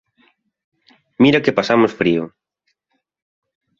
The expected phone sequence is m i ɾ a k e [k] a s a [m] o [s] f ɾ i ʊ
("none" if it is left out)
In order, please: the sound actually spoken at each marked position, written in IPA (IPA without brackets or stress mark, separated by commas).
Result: p, m, s